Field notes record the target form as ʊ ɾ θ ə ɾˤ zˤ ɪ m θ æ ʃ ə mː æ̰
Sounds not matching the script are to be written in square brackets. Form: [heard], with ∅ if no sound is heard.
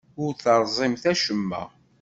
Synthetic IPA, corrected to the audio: ʊ ɾ θ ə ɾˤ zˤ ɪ m θ æ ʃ ə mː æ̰